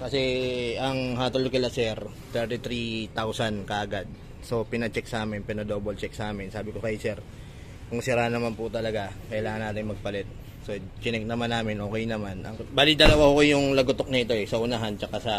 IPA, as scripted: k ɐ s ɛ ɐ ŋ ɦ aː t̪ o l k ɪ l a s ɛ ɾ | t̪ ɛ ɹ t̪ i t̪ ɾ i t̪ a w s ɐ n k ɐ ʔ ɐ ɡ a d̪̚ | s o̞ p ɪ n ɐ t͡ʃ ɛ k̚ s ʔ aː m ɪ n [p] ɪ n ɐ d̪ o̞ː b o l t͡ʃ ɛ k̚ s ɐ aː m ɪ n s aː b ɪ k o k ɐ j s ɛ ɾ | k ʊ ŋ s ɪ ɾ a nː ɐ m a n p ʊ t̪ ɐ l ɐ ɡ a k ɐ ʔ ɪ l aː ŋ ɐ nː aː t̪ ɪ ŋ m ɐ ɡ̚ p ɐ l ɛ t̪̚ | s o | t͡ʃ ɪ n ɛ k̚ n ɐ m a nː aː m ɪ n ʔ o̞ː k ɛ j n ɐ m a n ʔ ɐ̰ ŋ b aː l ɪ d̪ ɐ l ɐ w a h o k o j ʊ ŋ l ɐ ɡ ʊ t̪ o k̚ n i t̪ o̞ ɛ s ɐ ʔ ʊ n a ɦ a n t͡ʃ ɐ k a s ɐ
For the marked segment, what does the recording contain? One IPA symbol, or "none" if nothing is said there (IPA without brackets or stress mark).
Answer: p